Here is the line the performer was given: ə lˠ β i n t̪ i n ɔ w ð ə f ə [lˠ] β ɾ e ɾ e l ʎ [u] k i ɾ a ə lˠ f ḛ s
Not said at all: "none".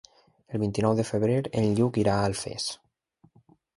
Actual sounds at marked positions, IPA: none, u

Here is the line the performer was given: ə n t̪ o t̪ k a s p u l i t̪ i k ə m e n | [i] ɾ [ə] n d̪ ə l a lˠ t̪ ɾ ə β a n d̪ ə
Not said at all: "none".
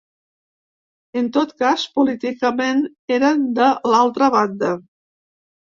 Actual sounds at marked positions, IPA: e, ə

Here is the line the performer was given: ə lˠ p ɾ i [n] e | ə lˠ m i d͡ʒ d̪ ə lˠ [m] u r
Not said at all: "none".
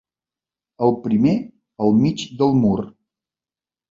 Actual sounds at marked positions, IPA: m, m

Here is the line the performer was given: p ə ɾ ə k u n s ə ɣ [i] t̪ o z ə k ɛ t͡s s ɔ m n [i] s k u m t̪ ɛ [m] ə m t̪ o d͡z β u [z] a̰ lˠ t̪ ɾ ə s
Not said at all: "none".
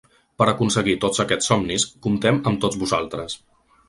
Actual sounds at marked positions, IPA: i, i, m, z

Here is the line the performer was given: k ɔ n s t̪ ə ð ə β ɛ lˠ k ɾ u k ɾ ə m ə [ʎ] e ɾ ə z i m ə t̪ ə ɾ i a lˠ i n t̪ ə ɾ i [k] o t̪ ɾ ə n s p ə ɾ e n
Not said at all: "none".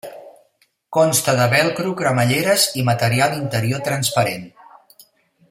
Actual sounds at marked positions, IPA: ʎ, none

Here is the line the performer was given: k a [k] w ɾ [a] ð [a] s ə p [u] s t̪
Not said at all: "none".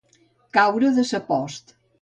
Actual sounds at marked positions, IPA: none, ə, ə, ɔ

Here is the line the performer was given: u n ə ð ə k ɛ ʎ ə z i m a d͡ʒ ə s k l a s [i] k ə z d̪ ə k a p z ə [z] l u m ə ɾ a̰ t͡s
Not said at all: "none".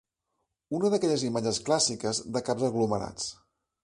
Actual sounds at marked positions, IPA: i, ɣ

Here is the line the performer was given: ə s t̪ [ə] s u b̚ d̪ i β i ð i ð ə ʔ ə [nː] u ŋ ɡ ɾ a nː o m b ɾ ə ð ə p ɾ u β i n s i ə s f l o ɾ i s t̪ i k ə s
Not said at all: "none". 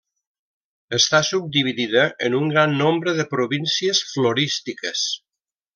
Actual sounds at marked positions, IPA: a, n

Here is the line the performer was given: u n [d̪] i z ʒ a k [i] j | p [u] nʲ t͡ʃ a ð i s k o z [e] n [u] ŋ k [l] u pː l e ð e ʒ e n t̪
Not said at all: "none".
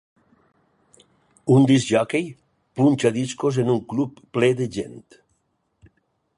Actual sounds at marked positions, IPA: d̪, e, u, e, u, l

